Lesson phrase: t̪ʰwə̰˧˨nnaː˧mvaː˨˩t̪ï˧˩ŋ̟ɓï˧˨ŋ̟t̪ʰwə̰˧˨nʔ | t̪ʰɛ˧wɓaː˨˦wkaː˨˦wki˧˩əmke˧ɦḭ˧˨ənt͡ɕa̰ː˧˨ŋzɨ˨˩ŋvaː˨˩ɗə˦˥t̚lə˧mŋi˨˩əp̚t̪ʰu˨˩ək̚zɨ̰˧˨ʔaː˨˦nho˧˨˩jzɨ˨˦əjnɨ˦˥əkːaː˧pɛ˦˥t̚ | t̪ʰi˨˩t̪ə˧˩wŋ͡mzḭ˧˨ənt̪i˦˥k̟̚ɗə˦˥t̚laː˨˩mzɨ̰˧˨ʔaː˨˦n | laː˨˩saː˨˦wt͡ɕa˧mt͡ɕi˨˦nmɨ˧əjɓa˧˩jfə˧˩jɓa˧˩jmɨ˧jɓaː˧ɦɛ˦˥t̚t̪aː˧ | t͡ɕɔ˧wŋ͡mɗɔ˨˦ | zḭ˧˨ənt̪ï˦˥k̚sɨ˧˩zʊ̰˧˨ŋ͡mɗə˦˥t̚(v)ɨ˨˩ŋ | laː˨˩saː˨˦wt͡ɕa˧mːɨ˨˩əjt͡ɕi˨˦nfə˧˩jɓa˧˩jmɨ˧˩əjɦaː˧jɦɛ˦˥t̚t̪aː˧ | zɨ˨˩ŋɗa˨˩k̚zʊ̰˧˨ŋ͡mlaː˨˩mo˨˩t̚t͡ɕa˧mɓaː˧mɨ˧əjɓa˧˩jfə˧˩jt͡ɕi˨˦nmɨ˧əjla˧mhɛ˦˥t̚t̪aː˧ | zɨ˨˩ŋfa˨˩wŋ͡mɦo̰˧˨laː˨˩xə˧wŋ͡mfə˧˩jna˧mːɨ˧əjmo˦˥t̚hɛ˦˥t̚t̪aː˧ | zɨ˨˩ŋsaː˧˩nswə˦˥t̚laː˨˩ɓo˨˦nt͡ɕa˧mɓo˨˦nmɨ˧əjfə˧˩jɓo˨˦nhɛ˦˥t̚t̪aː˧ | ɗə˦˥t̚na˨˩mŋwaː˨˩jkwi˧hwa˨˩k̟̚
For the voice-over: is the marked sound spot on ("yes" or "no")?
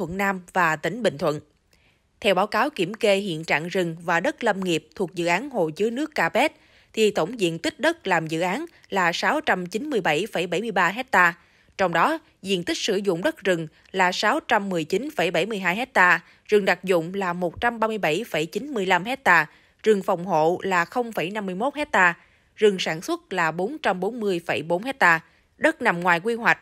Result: no